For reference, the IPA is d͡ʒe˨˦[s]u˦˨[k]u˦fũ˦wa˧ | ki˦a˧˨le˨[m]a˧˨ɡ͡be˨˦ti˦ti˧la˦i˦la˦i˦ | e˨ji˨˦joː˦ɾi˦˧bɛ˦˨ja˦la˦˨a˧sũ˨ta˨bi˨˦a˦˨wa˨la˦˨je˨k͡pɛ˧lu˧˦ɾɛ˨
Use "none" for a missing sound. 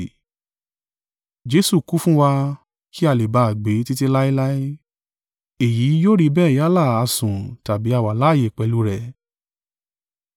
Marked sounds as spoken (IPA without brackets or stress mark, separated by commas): s, k, b